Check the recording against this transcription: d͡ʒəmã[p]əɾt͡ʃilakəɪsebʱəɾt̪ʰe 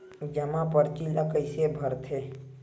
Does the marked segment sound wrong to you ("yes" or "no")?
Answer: no